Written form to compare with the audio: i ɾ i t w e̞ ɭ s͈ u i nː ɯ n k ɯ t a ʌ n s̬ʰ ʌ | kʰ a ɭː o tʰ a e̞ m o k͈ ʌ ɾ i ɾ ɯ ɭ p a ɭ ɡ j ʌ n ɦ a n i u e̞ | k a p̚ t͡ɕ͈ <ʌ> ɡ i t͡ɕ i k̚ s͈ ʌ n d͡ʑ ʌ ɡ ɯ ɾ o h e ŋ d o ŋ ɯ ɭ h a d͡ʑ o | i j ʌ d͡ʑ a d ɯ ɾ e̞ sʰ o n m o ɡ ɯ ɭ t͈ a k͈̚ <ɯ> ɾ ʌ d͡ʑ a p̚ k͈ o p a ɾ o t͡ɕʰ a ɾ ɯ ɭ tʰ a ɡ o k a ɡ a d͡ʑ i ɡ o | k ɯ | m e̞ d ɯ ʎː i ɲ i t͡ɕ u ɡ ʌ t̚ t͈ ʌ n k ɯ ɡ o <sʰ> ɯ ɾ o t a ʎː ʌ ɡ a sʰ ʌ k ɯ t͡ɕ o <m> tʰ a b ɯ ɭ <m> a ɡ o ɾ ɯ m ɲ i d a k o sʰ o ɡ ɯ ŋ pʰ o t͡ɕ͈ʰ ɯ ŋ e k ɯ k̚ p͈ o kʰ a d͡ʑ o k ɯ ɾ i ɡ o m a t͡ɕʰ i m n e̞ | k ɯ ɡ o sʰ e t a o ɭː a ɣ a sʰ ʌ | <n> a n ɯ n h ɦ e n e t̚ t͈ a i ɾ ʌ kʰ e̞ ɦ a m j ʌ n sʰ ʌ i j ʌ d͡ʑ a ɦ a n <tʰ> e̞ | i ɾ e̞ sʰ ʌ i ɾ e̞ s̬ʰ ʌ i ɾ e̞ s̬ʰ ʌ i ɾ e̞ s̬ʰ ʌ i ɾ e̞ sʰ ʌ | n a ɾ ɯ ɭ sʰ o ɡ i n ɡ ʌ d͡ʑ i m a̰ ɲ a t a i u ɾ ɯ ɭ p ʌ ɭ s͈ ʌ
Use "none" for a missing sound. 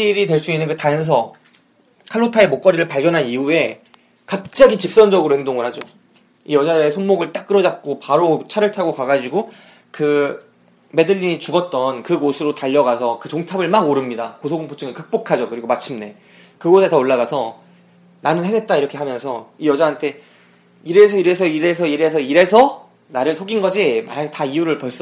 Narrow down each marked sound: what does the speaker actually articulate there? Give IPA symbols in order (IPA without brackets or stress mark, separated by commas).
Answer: a, ɯ, sʰ, ŋ, m, n, tʰ